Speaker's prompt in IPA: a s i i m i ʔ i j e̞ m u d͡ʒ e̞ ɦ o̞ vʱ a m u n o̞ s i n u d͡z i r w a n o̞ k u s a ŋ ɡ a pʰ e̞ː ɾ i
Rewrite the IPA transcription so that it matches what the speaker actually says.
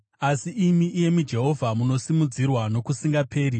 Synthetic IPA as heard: a s i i m i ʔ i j e̞ m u d͡ʒ e̞ ɦ o̞ vʱ a m u n o̞ s i m u d͡z i r w a n o̞ k u s i ŋ ɡ a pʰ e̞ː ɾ i

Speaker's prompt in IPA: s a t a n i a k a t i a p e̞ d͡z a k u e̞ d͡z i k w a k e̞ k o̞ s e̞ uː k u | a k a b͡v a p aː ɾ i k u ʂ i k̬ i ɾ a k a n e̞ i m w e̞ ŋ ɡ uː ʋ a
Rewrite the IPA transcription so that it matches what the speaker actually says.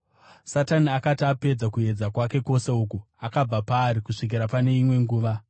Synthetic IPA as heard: s a t a n i a k a t i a p e̞ d͡z a k u e̞ d͡z a k w a k e̞ k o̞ s e̞ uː k u | a k a b͡v a p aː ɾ i k u ʂ i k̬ i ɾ a p a n e̞ i m w e̞ ŋ ɡ uː ʋ a

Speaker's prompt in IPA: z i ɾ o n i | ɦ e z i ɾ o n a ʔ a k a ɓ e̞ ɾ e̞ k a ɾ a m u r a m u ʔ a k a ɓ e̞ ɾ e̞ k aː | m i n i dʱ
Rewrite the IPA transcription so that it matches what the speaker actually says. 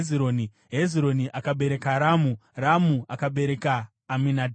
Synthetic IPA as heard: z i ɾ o n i | ɦ e z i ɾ o n i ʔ a k a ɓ e̞ ɾ e̞ k a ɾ a m u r a m u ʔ a k a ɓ e̞ ɾ e̞ k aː | m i n a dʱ

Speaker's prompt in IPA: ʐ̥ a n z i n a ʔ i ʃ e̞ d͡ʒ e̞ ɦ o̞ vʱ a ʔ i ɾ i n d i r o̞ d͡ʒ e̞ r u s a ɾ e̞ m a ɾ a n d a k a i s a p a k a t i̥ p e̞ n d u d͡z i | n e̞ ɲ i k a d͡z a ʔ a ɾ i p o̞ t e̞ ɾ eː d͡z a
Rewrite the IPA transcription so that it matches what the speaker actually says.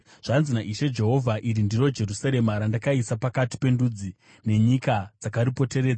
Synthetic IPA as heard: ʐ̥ a n z i n a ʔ i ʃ e̞ d͡ʒ e̞ ɦ o̞ vʱ a ʔ i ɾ i n d i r o̞ d͡ʒ e̞ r u s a ɾ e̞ m a ɾ a n d a k a i s a p a k a t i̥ p e̞ n d u d͡z i | n e̞ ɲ i k a d͡z a k a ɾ i p o̞ t e̞ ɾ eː d͡z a

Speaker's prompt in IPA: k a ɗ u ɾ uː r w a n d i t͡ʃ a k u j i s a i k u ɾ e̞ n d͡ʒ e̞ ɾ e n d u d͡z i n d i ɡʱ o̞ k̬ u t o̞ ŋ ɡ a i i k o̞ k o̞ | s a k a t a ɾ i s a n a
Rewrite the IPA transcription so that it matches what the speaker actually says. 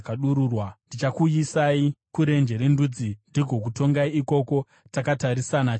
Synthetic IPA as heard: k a ɗ u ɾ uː r w a n d i t͡ʃ a k u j i s a i k u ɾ e̞ n d͡ʒ e̞ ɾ e n d u d͡z i n d i ɡʱ o̞ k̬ u t o̞ ŋ ɡ a i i k o̞ k o̞ | t a k a t a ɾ i s a n a

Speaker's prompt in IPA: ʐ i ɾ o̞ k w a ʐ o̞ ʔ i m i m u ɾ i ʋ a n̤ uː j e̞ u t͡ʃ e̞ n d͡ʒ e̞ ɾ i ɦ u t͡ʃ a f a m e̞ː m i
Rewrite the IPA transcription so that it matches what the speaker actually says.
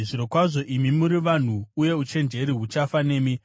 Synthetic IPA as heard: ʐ i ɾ o̞ k w a ʐ o̞ ʔ i m i m u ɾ i ʋ a n̤ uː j e̞ u t͡ʃ e̞ n d͡ʒ e̞ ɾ i ɦ u t͡ʃ a f a n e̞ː m i

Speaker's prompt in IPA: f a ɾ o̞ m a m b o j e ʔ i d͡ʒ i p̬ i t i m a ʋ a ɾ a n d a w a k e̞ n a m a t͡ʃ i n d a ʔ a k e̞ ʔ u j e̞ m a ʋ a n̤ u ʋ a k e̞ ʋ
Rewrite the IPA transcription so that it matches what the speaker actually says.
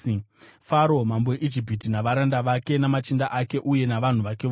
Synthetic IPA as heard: f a ɾ o̞ m a m b o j e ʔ i d͡ʒ i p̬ i t i n a ʋ a ɾ a n d a ʋ a k e̞ n a m a t͡ʃ i n d a ʔ a k e̞ ʔ u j e̞ n a ʋ a n̤ u ʋ a k e̞ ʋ

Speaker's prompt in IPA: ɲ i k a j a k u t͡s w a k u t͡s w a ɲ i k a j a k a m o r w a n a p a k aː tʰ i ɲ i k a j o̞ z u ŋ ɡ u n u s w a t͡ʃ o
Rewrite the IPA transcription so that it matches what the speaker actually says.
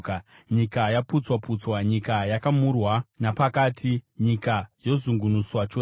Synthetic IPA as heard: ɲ i k a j a p u t͡s w a p u t͡s w a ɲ i k a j a k a m u r w a n a p a k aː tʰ i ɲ i k a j o̞ z u ŋ ɡ u n u s w a t͡ʃ o

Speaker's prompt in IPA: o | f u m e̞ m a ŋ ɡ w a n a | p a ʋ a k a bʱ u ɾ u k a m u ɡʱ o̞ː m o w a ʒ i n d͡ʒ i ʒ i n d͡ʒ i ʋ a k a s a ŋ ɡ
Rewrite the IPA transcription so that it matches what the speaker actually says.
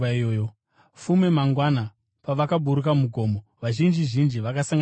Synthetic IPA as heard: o | f u m e̞ m a ŋ ɡ w a n a | p a ʋ a k a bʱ u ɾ u k a m u ɡʱ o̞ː m o ʋ a ʒ i n d͡ʒ i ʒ i n d͡ʒ i ʋ a k a s a ŋ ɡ

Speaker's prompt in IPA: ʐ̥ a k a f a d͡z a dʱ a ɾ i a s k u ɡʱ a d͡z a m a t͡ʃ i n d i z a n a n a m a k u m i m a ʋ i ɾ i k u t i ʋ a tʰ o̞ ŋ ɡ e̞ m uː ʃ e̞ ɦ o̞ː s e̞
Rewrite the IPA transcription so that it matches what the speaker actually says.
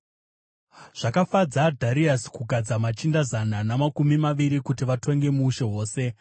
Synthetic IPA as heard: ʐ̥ a k a f a d͡z a dʱ a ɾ i a s k u ɡʱ a d͡z a m a t͡ʃ i n d a z a n a n a m a k u m i m a ʋ i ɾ i k u t i ʋ a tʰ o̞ ŋ ɡ e̞ m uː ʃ e̞ ɦ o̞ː s e̞

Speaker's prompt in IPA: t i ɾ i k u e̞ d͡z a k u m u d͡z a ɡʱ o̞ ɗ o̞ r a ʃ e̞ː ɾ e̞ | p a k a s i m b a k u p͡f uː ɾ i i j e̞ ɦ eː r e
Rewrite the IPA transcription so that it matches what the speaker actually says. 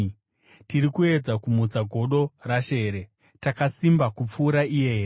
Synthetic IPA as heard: t i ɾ i k u e̞ d͡z a k u m u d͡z a ɡʱ o̞ ɗ o̞ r a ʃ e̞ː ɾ e̞ | t a k a s i m b a k u p͡f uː ɾ a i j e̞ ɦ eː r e

